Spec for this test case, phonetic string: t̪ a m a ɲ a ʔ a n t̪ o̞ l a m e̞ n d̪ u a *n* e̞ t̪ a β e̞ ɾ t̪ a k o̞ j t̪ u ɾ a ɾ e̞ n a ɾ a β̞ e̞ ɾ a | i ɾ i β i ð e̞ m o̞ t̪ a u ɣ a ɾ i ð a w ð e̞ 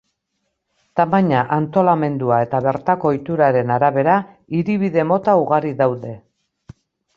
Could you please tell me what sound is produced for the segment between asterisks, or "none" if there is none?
none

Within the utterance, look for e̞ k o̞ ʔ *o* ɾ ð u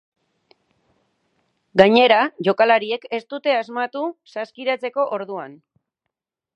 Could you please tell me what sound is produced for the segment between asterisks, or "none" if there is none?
o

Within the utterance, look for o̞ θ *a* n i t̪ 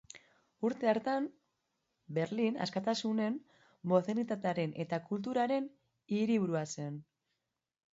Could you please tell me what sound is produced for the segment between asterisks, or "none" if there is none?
e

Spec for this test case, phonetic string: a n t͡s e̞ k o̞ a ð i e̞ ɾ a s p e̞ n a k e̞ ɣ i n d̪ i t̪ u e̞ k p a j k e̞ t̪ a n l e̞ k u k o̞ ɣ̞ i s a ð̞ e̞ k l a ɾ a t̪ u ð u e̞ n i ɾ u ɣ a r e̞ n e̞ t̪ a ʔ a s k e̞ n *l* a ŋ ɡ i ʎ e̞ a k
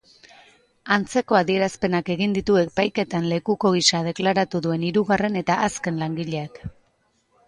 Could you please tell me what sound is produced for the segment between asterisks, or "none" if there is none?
l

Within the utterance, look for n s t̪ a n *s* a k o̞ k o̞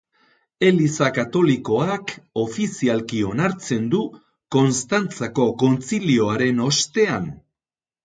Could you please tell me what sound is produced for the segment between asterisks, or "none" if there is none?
t͡s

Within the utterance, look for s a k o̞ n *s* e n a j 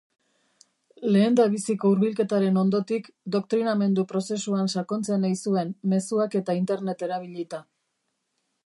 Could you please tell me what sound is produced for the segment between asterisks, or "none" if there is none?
t͡s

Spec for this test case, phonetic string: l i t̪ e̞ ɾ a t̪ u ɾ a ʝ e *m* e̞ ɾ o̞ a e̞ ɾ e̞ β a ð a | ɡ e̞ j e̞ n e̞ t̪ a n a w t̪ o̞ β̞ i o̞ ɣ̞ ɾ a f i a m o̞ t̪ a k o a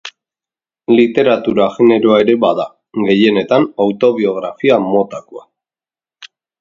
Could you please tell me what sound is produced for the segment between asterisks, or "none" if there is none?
n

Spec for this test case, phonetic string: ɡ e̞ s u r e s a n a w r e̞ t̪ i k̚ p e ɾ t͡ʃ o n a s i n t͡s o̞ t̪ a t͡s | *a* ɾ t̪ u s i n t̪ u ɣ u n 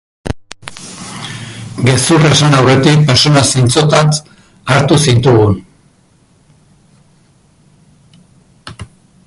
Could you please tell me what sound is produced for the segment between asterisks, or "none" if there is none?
a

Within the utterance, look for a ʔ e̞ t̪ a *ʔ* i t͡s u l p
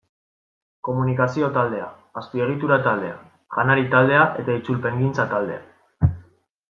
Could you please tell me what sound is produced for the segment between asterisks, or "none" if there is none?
none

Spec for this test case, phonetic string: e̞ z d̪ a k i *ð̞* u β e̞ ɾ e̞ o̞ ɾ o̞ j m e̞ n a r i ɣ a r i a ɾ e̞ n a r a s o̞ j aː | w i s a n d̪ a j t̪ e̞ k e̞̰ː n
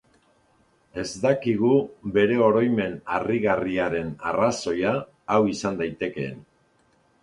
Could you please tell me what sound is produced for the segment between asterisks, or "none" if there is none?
ɣ̞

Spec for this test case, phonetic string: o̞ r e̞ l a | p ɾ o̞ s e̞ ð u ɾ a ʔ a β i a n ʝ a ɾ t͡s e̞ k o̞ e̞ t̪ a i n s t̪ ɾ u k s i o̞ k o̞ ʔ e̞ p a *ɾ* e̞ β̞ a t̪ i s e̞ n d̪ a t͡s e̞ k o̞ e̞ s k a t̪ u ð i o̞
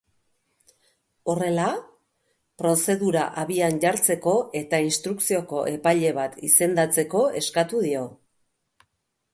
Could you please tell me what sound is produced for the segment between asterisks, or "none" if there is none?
ʎ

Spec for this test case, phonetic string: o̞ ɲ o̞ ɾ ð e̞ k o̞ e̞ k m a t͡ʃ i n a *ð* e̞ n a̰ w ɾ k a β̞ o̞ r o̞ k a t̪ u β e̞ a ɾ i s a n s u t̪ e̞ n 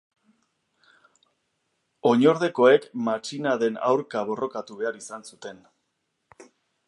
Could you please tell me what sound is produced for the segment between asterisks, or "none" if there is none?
ð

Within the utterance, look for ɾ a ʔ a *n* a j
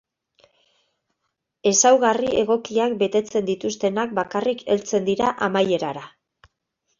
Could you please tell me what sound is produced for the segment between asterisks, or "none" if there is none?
m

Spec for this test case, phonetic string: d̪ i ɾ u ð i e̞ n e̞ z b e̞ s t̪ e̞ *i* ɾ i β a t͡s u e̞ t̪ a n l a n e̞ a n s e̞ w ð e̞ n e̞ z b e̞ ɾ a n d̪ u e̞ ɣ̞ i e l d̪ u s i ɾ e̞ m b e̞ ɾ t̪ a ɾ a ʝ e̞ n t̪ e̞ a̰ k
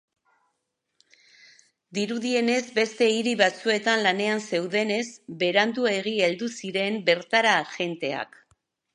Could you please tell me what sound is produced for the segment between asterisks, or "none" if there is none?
i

